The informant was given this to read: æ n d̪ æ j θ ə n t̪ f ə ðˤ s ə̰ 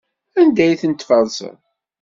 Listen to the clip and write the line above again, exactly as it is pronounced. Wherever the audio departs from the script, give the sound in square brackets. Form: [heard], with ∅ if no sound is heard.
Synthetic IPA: æ n d̪ æ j θ ə n t̪ f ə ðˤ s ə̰

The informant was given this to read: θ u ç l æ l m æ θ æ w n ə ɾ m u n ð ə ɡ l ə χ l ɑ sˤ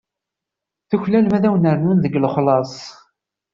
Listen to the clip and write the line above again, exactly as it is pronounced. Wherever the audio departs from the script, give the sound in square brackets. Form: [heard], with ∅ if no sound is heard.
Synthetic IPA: θ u ç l æ l m æ [ð] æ w n ə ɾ [n] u n ð ə ɡ l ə χ l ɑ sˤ

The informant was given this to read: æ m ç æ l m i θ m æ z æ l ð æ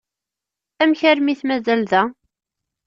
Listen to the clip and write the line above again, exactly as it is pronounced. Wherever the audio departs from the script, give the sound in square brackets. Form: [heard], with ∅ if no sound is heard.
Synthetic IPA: æ m ç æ [ɾ] m i θ m æ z æ l ð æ

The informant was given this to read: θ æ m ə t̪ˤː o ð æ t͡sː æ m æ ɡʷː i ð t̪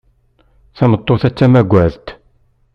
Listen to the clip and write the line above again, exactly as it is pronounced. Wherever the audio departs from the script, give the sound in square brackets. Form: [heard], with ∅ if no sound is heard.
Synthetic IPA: θ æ m ə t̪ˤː o [θ] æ t͡sː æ m æ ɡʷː [æ] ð t̪

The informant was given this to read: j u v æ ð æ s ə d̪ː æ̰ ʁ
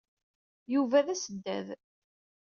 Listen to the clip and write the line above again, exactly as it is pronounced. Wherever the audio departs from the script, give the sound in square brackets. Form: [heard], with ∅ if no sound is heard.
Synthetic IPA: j u v æ ð æ s ə d̪ː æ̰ [ð]

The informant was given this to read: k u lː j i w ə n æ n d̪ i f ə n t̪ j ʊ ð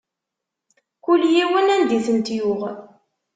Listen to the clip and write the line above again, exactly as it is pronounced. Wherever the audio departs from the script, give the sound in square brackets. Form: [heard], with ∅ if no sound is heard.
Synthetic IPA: k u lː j i w ə n æ n d̪ i [θ] ə n t̪ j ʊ [ʁ]

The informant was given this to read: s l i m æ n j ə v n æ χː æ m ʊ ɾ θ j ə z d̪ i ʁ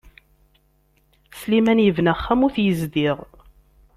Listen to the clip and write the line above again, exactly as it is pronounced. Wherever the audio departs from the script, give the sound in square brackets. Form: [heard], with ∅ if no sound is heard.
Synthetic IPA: s l i m æ n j ə v n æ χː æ m ʊ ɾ θ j ə z d̪ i ʁ

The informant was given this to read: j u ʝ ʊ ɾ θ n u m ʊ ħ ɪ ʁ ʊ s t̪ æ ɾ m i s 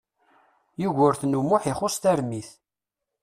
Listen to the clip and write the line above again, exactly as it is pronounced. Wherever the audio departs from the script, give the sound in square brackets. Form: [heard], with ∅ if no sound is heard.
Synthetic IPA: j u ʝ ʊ ɾ θ n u m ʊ ħ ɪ [χ] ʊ s t̪ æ ɾ m i [θ]

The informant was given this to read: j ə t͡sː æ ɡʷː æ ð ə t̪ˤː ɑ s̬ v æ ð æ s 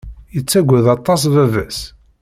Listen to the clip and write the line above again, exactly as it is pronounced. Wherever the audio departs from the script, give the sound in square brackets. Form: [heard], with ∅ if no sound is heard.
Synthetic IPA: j ə t͡sː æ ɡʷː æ ð [ɑ] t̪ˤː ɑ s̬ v æ [v] æ s

